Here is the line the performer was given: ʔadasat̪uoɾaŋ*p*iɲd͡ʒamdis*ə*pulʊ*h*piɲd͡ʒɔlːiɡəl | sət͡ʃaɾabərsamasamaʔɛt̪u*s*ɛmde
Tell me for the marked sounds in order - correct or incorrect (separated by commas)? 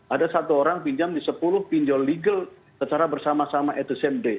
correct, correct, correct, correct